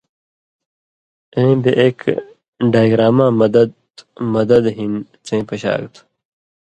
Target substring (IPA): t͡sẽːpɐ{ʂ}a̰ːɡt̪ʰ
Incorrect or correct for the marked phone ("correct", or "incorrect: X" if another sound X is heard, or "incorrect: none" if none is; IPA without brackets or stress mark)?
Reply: incorrect: ɕ